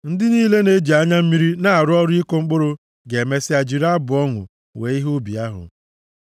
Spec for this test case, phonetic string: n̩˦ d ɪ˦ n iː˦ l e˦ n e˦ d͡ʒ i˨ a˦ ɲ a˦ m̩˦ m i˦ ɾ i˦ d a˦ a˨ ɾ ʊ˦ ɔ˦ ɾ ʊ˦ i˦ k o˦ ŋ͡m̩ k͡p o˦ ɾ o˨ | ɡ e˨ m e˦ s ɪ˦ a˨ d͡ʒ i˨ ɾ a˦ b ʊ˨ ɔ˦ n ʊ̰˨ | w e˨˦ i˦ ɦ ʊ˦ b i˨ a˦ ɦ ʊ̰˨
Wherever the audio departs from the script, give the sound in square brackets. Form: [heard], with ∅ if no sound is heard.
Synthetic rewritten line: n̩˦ d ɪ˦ n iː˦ l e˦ n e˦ d͡ʒ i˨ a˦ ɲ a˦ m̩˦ m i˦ ɾ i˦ [n] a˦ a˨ ɾ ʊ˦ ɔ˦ ɾ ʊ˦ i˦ k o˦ ŋ͡m̩ k͡p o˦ ɾ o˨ | ɡ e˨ m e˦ s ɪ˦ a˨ d͡ʒ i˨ ɾ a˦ b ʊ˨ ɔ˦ [ŋ] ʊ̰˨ | w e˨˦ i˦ ɦ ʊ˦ b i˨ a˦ ɦ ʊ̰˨